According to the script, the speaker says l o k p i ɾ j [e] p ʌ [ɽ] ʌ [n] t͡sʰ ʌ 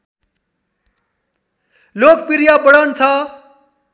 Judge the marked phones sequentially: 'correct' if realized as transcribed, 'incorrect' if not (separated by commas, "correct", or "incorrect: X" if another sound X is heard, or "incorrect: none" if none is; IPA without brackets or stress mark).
incorrect: a, correct, correct